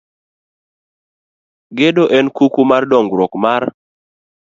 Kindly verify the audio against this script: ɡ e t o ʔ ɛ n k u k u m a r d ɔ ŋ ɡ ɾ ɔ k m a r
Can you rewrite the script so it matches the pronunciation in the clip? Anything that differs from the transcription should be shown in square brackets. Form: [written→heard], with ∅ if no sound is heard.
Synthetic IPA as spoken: ɡ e [t→d] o ʔ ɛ n k u k u m a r d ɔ ŋ ɡ ɾ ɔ k m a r

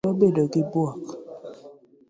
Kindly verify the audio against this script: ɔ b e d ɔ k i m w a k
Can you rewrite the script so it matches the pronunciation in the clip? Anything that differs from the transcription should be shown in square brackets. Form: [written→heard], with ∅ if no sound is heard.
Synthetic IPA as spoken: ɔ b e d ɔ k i [m→b] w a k

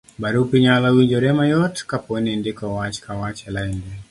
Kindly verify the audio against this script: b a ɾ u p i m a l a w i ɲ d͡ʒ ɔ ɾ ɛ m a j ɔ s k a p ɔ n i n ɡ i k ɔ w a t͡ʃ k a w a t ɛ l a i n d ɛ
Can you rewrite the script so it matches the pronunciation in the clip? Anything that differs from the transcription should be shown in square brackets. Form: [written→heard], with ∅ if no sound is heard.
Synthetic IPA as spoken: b a ɾ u p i [m→ɲ] a l a w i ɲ d͡ʒ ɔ ɾ ɛ m a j ɔ [s→t] k a p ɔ n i n [ɡ→d] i k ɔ w a t͡ʃ k a w a [t→t͡ʃ] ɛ l a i n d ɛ

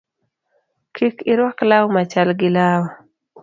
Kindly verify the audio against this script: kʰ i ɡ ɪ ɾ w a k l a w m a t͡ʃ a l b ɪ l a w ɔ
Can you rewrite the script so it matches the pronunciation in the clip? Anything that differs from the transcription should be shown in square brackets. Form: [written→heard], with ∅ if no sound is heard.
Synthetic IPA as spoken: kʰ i [ɡ→k] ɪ ɾ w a k l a w m a t͡ʃ a l [b→ɡ] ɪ l a w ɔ

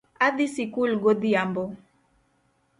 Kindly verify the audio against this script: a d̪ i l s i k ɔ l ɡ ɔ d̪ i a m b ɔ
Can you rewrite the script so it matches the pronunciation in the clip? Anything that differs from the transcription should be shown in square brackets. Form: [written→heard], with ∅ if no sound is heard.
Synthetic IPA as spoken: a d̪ i [l→∅] s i k [ɔ→u] l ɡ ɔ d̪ i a m b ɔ

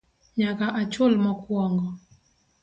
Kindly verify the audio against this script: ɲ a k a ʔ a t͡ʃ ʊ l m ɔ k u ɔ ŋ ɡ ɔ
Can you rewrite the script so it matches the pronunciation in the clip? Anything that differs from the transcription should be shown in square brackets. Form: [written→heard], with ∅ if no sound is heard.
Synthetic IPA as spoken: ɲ a k a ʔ a t͡ʃ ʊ l m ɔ k [u→w] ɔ ŋ ɡ ɔ

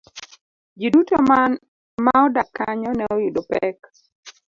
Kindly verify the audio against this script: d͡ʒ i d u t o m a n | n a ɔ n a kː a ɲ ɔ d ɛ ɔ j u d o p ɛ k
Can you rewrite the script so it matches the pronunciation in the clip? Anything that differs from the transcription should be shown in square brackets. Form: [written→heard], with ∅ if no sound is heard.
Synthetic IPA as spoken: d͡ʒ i d u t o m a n | [n→m] a ɔ [n→d] a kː a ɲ ɔ [d→n] ɛ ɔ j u d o p ɛ k

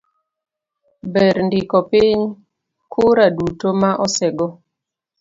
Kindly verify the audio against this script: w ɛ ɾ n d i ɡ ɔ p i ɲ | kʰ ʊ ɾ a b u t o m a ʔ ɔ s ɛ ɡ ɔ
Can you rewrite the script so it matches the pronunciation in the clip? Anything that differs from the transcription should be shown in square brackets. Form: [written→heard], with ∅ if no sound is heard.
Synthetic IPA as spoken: [w→b] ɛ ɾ n d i [ɡ→k] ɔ p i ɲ | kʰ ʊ ɾ a [b→d] u t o m a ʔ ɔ s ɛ ɡ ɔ

